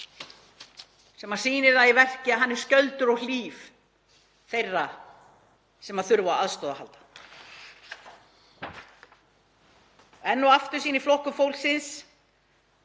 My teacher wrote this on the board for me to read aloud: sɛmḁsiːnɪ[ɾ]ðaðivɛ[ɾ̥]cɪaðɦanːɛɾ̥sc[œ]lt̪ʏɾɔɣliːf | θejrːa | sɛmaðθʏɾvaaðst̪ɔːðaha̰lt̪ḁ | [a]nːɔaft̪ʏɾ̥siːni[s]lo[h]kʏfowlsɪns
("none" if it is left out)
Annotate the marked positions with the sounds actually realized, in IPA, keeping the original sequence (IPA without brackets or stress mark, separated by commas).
ɾ, r̥, œ, ɛ, f, h